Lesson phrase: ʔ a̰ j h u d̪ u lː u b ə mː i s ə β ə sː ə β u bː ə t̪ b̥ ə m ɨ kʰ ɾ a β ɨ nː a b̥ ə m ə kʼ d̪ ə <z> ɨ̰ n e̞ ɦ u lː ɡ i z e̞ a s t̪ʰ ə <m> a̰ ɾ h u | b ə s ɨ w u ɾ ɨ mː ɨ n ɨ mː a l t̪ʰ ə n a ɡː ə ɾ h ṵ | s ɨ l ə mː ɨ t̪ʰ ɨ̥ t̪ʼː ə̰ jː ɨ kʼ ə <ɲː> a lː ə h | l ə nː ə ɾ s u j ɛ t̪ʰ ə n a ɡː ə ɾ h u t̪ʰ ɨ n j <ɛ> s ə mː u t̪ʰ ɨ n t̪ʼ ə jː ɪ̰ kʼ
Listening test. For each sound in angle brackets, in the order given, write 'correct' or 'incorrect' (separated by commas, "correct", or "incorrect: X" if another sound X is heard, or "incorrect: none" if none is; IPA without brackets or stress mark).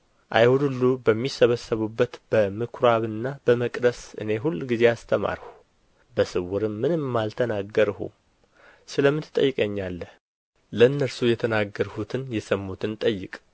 incorrect: s, correct, correct, correct